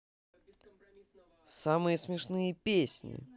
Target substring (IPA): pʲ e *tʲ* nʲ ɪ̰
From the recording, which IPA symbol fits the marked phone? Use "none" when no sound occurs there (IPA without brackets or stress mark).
sʲ